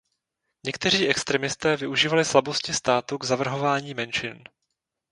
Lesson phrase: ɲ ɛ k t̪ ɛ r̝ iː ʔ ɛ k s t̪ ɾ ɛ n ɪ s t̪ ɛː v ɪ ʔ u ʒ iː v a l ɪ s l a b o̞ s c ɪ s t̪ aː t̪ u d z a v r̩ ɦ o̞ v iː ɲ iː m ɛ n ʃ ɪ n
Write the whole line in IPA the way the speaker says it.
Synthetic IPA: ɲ ɛ k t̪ ɛ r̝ iː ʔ ɛ k s t̪ ɾ ɛ m ɪ s t̪ ɛː v ɪ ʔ u ʒ iː v a l ɪ s l a b o̞ s c ɪ s t̪ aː t̪ u ɡ z a v r̩ ɦ o̞ v aː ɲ iː m ɛ n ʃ ɪ n